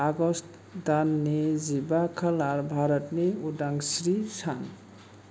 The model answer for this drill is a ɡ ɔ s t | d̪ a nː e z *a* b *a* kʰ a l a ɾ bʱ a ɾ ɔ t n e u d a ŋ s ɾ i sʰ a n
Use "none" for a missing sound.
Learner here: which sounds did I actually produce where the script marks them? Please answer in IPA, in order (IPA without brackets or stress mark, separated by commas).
i, a